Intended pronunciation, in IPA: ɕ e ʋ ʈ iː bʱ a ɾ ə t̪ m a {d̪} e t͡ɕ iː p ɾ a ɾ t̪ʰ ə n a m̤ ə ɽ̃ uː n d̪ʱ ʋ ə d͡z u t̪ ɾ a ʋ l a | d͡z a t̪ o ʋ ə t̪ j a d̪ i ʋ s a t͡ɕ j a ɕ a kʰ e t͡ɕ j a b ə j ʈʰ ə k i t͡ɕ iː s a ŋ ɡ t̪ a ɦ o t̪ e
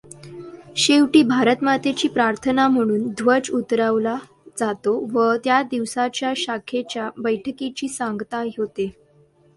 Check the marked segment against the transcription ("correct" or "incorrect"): incorrect